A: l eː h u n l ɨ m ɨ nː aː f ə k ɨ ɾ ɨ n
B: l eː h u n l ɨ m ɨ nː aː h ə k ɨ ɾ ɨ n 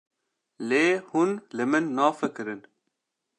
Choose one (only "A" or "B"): A